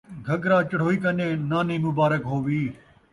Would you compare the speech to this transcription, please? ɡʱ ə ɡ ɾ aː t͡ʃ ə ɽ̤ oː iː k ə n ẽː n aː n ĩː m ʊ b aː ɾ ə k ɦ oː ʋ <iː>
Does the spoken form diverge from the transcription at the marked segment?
no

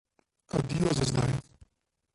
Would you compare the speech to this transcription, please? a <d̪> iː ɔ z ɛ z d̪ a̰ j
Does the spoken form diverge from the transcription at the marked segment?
no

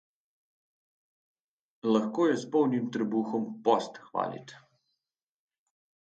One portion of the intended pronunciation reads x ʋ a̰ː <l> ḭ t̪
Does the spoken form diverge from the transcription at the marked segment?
no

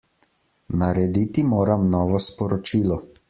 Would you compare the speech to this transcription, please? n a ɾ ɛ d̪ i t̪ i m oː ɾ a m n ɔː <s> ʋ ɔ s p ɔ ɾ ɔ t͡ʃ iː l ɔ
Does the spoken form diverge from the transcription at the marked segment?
yes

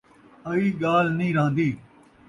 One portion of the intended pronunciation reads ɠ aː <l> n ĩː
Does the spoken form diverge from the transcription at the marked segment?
no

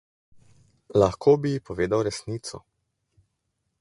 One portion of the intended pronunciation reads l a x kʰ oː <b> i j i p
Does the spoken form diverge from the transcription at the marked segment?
no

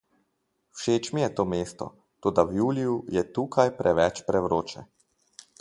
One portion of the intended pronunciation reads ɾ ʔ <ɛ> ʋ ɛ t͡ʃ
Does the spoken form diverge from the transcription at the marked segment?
no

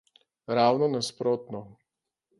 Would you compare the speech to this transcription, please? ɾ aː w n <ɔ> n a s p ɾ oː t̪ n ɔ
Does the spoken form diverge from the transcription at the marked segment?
no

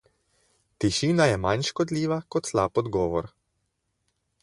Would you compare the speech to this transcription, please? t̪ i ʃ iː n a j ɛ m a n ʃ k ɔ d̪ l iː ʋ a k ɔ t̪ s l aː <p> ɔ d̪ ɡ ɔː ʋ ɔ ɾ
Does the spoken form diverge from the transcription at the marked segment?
no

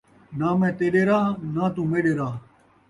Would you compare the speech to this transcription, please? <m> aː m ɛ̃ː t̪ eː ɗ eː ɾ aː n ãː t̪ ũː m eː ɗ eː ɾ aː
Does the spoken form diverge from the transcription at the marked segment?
yes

